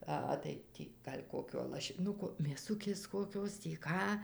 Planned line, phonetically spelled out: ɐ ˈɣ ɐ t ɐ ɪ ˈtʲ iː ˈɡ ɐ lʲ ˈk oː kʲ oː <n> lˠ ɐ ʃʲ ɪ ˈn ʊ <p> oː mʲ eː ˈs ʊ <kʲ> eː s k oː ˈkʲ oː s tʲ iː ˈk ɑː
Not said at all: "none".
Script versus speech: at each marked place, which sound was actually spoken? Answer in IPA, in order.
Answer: none, k, kʲ

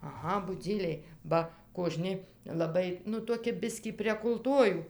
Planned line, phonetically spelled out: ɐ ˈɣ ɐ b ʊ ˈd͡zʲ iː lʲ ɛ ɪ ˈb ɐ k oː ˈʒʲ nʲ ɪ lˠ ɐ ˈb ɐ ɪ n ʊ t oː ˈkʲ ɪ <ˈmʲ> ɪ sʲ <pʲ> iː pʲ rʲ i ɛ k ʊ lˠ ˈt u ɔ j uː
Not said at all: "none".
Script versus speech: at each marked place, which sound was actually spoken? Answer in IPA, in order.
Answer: bʲ, kʲ

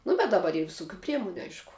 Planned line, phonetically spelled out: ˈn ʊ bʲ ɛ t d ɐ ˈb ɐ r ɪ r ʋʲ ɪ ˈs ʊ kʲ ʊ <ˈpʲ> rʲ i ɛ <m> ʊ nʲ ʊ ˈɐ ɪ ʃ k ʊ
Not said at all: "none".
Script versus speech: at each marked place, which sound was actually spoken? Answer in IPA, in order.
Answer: pʲ, m

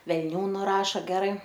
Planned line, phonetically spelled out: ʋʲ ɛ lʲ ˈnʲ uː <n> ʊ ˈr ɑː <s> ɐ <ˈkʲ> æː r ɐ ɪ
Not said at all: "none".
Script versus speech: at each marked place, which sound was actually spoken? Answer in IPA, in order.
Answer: n, ʃ, ɡʲ

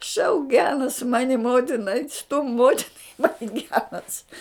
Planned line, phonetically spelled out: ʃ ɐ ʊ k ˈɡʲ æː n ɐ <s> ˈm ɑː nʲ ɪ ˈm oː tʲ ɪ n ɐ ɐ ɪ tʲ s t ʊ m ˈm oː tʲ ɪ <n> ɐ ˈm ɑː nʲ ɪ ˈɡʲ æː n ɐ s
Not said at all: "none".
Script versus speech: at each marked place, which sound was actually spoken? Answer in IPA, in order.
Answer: s, n

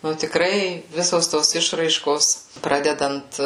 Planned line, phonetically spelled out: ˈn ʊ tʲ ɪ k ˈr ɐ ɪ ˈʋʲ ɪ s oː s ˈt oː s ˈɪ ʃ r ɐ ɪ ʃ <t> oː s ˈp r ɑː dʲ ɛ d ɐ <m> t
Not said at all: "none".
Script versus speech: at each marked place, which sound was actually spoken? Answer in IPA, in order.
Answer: k, n

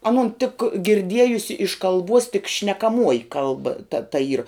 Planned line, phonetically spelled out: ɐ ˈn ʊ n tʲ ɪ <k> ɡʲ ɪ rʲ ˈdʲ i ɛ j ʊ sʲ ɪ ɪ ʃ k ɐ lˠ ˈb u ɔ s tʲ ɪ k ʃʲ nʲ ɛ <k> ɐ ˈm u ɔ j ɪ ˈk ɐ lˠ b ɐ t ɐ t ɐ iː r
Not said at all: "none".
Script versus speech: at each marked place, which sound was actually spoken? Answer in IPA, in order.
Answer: k, k

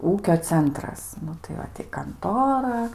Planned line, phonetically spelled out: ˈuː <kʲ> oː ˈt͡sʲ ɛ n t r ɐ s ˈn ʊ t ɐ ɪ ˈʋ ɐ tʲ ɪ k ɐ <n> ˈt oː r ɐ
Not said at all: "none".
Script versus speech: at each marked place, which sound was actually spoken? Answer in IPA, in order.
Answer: kʲ, n

